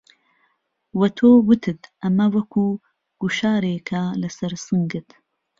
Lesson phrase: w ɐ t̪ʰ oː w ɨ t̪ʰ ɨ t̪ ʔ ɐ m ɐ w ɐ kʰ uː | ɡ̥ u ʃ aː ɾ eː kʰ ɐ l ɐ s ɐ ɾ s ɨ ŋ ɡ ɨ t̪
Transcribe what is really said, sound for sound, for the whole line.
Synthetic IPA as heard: w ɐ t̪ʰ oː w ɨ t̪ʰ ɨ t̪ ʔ ɐ m ɐ w ɐ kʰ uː | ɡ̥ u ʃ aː ɾ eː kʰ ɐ l ɐ s ɐ ɾ s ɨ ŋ ɡ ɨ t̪